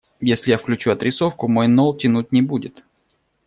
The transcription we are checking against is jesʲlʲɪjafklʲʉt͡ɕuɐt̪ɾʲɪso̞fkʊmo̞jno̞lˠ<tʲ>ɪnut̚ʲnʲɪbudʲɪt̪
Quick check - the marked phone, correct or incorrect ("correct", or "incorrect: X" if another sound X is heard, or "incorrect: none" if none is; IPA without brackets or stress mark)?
correct